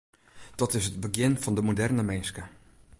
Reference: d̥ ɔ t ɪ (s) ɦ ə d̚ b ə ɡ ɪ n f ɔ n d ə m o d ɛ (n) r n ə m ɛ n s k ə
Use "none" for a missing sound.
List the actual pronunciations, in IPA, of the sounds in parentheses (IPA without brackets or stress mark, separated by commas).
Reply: s, none